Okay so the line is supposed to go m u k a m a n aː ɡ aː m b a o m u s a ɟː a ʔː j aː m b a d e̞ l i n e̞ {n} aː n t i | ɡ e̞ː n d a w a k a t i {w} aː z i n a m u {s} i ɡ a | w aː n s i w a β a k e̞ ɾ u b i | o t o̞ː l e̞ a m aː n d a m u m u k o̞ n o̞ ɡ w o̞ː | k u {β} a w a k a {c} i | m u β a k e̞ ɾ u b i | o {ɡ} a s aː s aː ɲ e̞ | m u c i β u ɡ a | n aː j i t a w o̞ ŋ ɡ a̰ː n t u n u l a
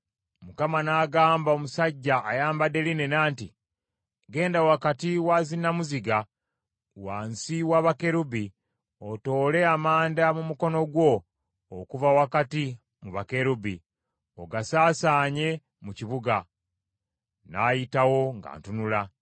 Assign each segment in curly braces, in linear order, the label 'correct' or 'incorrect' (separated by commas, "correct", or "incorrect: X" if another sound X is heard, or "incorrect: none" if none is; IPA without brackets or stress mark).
correct, correct, incorrect: z, incorrect: v, incorrect: t, correct